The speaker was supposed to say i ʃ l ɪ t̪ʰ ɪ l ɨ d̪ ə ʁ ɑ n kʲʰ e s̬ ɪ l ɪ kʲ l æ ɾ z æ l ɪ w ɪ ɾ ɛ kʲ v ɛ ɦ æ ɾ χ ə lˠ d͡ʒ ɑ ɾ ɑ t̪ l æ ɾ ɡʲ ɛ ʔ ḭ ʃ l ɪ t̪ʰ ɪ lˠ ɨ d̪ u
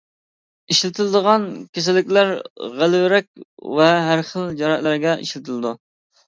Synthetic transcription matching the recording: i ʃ l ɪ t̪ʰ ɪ l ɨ d̪ ə ʁ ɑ n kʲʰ e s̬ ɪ l ɪ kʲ l æ ɾ ʁ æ l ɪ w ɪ ɾ ɛ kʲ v ɛ ɦ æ ɾ χ ə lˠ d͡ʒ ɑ ɾ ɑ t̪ l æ ɾ ɡʲ ɛ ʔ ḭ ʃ l ɪ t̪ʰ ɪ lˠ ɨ d̪ u